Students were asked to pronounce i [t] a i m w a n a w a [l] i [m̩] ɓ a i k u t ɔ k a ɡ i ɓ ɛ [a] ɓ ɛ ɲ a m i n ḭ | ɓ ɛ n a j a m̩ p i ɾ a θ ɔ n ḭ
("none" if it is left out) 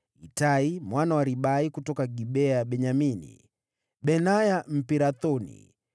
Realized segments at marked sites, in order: t, ɾ, none, a

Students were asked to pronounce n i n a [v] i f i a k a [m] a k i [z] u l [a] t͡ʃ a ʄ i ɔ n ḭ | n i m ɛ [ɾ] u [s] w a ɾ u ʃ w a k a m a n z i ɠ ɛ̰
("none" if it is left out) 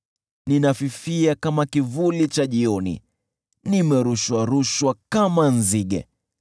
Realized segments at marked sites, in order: f, m, v, i, ɾ, ʃ

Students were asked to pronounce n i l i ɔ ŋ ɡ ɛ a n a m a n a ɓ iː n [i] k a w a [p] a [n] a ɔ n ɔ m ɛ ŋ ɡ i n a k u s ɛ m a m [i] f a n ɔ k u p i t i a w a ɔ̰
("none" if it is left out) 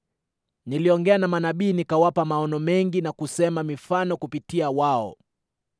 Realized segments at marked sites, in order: i, p, m, i

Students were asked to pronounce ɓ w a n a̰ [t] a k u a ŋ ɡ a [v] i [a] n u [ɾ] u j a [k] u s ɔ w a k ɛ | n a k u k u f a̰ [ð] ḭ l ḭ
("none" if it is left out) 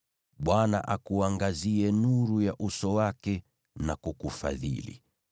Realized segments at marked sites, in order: ʔ, z, ɛ, ɾ, ʔ, ð

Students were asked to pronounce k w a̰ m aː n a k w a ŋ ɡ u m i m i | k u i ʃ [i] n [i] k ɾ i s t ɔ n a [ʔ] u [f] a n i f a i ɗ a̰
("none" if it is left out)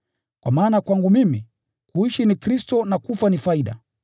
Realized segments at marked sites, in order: i, i, k, f

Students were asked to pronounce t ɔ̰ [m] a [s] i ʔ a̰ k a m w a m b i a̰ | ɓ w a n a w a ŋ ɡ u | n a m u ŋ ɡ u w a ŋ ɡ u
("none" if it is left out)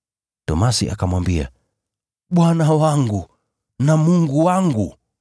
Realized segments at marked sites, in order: m, s

